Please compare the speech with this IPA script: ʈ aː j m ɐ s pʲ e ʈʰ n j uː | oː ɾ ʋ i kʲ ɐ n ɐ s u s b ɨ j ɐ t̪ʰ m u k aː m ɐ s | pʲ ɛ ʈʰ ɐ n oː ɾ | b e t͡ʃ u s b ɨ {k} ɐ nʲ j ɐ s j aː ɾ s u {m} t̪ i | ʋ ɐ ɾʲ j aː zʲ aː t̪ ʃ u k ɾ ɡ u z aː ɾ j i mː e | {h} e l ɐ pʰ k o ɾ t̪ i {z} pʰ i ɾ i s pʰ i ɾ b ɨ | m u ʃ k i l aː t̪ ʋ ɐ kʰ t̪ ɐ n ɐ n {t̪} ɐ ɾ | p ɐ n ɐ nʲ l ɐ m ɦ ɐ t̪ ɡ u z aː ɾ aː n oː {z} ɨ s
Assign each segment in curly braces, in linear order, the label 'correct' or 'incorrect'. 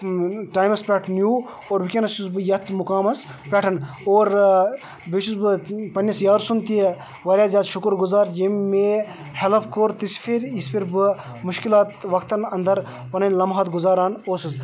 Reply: incorrect: p, incorrect: n, correct, incorrect: s, incorrect: d̪, incorrect: s

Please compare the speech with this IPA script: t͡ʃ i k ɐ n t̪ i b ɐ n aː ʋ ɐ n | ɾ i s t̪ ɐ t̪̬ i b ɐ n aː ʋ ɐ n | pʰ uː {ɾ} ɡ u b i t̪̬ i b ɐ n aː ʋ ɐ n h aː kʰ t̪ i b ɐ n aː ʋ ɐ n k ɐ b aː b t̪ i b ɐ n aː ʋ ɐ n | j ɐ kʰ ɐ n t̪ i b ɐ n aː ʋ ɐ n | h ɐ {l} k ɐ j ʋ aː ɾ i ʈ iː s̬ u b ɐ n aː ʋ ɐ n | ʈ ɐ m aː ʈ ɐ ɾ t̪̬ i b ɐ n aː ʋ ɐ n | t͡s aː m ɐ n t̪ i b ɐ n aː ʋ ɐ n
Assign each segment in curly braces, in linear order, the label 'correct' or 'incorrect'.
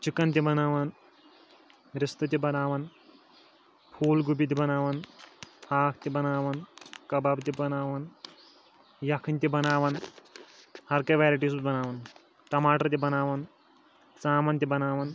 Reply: incorrect: l, incorrect: ɾ

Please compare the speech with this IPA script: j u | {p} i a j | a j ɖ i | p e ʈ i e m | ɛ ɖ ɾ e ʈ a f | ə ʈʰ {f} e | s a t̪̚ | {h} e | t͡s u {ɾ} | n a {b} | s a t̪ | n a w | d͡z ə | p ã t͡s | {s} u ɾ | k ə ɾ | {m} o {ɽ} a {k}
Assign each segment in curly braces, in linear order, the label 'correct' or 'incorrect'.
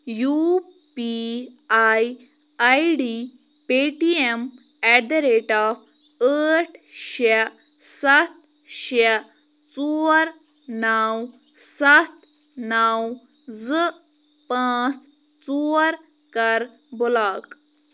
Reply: correct, incorrect: ɕ, incorrect: ɕ, correct, incorrect: w, incorrect: t͡s, incorrect: b, incorrect: l, correct

